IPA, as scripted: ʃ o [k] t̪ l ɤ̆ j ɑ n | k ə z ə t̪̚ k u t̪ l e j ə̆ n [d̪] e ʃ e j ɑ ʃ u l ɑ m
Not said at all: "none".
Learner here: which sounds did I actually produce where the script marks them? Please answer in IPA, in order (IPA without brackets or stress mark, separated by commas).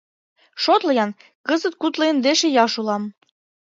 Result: none, d̪